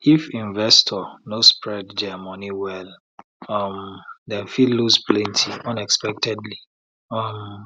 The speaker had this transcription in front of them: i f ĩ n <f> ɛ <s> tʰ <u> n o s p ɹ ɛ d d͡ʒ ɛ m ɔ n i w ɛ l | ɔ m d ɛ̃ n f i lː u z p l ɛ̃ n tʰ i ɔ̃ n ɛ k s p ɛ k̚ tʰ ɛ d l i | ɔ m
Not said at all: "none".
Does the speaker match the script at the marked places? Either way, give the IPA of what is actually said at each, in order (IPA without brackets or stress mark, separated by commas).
v, s, ɔ